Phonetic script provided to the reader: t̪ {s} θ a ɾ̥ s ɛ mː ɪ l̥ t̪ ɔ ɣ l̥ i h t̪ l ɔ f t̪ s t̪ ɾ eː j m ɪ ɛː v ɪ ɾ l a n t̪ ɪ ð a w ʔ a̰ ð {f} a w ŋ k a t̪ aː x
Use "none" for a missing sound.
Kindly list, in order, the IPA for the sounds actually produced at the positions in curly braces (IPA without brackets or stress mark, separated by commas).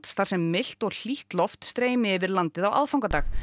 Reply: s, f